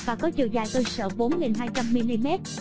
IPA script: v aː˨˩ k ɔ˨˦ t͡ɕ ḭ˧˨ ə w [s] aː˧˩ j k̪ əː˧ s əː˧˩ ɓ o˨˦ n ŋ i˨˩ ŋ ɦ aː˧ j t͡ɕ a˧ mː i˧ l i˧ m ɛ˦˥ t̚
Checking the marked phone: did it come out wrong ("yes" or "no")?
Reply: yes